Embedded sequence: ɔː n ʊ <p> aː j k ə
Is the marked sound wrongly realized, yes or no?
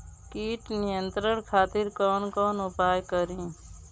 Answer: no